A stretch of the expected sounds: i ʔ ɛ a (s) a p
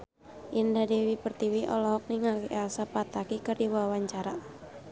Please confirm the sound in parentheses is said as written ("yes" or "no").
yes